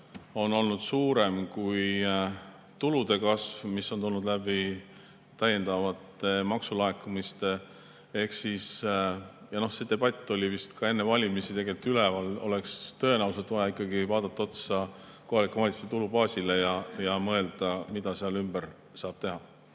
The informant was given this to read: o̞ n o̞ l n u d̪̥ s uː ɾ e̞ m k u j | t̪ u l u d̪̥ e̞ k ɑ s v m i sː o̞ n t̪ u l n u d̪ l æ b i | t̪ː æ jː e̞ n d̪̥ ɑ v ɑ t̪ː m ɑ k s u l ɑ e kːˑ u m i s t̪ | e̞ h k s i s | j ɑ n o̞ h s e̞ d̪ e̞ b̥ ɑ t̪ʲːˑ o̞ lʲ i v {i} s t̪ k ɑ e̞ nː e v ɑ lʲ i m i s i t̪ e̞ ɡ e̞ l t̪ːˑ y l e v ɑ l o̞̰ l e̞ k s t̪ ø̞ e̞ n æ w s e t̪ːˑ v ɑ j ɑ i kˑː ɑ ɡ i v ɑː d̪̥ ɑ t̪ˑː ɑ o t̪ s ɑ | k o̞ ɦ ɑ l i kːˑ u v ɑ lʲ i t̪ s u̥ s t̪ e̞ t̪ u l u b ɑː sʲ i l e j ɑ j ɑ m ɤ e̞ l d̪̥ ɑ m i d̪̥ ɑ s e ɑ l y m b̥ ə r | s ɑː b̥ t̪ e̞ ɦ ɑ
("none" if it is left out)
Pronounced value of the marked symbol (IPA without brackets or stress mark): i